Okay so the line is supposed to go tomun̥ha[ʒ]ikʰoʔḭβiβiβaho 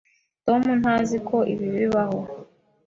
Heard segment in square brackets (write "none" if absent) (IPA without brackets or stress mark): z